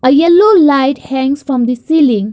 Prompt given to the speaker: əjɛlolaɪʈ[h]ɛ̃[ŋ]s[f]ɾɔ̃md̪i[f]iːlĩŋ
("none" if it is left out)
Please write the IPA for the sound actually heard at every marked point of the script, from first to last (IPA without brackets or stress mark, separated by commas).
h, ŋ, f, s